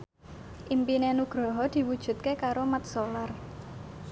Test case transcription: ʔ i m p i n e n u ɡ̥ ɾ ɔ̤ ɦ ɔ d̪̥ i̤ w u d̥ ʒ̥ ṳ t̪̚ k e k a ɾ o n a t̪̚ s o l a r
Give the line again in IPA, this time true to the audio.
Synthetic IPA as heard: ʔ i m p i n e n u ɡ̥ ɾ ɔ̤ ɦ ɔ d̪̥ i̤ w u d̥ ʒ̥ ṳ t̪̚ k e k a ɾ o m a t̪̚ s o l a r